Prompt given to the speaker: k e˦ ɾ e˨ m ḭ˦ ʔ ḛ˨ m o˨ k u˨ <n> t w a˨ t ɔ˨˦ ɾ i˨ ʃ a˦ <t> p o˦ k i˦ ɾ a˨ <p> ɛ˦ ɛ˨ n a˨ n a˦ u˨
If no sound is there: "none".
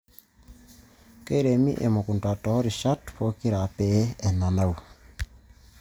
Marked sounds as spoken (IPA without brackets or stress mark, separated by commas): n, t, p